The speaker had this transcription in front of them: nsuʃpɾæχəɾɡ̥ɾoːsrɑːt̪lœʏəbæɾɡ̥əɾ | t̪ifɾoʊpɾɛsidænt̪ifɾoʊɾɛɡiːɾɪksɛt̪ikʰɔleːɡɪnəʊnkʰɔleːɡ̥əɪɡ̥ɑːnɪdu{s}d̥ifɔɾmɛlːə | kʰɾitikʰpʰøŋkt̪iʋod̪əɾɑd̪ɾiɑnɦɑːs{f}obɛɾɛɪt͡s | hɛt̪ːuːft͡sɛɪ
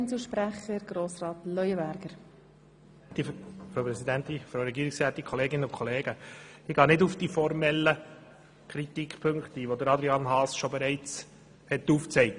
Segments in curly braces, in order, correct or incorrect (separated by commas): incorrect, incorrect